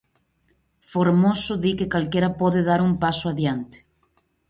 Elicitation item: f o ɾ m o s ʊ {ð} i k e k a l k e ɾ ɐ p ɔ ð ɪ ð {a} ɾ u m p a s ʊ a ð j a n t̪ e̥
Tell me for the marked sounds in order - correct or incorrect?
correct, correct

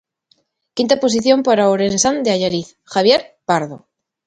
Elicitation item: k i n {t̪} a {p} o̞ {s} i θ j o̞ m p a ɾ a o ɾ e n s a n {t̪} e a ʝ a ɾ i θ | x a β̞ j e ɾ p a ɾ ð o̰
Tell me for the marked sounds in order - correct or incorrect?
correct, correct, correct, incorrect: d̪

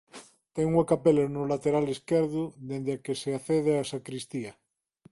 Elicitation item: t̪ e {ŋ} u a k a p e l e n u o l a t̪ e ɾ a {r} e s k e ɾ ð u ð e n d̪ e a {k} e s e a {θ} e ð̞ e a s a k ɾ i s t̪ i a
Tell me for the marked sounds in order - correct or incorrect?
correct, incorrect: l, correct, correct

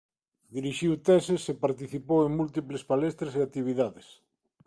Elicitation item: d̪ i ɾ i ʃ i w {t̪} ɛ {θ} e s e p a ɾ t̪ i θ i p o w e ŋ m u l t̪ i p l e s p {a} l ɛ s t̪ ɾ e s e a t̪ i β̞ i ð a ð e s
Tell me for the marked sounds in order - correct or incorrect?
correct, incorrect: s, correct

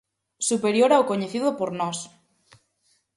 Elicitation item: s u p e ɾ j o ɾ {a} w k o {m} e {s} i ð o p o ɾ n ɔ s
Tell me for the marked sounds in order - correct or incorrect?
correct, incorrect: ɲ, incorrect: θ

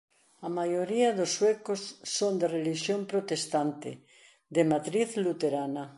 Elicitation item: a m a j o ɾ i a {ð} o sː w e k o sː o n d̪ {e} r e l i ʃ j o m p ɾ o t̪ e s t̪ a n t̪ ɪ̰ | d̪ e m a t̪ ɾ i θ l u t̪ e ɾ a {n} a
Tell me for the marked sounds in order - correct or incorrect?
correct, correct, correct

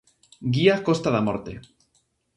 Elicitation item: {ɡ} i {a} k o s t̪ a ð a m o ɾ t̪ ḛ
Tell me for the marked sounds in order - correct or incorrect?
correct, correct

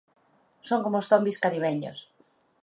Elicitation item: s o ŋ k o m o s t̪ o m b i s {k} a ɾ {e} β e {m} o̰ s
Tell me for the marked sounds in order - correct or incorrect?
correct, incorrect: i, incorrect: ɲ

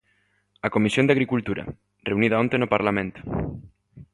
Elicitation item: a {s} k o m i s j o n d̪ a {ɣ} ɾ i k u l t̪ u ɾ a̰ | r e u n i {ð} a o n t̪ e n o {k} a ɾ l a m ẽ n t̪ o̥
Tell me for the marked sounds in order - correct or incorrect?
incorrect: none, correct, correct, incorrect: p

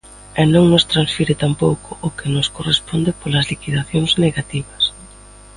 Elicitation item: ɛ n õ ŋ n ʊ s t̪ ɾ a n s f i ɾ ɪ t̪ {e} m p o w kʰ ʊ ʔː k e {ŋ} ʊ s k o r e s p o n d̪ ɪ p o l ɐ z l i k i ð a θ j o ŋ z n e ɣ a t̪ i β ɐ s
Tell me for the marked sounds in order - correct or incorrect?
incorrect: a, incorrect: n

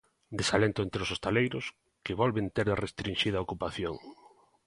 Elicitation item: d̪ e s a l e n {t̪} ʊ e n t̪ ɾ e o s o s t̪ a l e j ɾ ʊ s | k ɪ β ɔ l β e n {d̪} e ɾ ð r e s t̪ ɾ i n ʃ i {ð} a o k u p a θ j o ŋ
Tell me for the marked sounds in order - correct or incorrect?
correct, incorrect: t̪, correct

